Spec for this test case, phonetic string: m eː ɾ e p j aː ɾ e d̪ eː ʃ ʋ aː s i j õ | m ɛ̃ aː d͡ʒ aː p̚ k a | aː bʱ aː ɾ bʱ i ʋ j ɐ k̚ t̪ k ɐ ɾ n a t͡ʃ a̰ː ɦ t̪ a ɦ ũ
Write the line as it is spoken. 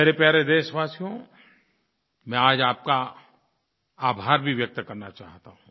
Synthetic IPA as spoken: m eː ɾ e p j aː ɾ e d̪ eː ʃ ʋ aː s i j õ | m ɛ̃ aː d͡ʒ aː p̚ k a | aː bʱ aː ɾ bʱ i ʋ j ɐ k̚ t̪ k ɐ ɾ n a t͡ʃ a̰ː ɦ t̪ a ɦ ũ

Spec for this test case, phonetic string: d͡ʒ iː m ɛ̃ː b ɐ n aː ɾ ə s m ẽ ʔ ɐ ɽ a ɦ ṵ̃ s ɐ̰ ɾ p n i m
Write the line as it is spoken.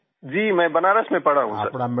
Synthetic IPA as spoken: d͡ʒ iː m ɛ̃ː b ɐ n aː ɾ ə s m ẽ p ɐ ɽ a ɦ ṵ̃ s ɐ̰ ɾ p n a m

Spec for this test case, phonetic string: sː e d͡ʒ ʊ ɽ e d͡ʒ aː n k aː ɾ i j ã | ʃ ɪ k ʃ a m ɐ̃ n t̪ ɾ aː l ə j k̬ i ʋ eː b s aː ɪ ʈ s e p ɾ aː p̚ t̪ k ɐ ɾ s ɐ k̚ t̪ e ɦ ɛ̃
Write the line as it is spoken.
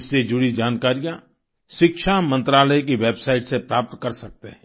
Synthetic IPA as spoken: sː e d͡ʒ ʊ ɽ i d͡ʒ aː n k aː ɾ i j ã | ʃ ɪ k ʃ a m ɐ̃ n t̪ ɾ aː l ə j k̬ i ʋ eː b s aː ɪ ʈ s e p ɾ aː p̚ t̪ k ɐ ɾ s ɐ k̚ t̪ e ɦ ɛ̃

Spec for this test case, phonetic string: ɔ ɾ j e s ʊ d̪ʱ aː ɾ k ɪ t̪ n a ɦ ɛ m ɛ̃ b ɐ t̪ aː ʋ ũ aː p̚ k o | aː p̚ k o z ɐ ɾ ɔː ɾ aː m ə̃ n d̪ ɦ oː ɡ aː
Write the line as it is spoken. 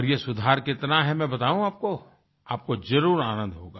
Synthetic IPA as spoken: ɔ ɾ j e s ʊ d̪ʱ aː ɾ k ɪ t̪ n a ɦ ɛ m ɛ̃ b ɐ t̪ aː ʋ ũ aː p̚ k o | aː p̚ k o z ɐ ɾ uː ɾ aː n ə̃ n d̪ ɦ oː ɡ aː

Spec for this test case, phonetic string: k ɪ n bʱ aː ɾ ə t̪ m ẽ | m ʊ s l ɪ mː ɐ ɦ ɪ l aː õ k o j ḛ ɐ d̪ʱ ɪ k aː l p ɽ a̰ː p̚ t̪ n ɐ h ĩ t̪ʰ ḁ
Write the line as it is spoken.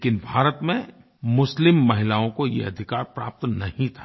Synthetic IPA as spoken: k ɪ n bʱ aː ɾ ə t̪ m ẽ | m ʊ s l ɪ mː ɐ ɦ ɪ l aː õ k o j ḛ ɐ d̪ʱ ɪ k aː ɾ p ɾ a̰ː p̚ t̪ n ɐ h ĩ t̪ʰ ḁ

